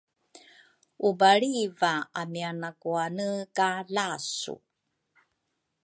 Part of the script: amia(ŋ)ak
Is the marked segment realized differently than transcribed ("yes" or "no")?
yes